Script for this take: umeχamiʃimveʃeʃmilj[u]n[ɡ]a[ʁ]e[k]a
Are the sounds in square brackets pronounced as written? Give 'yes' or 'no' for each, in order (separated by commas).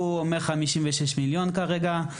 no, no, yes, no